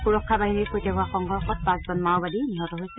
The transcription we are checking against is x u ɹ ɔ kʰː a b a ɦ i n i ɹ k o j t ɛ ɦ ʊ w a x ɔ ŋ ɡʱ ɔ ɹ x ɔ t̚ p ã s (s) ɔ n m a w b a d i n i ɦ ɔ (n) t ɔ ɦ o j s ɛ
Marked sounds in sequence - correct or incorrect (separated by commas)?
incorrect, incorrect